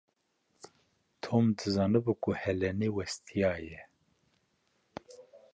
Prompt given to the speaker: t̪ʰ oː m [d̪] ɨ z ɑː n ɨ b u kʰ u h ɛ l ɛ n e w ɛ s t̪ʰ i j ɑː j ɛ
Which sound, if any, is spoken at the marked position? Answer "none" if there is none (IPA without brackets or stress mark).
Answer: d̪